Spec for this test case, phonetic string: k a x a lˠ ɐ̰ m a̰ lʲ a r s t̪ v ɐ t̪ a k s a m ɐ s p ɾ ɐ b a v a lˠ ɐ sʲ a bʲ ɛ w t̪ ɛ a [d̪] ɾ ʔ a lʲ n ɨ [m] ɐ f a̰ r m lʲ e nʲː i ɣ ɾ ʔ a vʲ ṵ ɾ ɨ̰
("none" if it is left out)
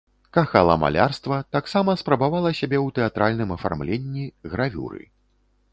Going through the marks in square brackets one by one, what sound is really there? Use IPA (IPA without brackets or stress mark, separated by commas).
t̪, m